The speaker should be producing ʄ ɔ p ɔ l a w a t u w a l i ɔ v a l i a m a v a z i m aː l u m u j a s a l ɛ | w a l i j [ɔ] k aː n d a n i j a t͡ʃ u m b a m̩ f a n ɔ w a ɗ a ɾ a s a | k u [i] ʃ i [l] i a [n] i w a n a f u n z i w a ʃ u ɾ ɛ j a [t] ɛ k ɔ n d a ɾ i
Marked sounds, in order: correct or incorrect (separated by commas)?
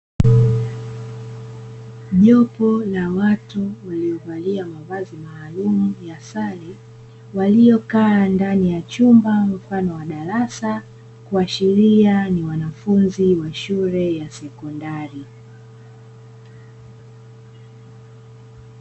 correct, incorrect, incorrect, correct, incorrect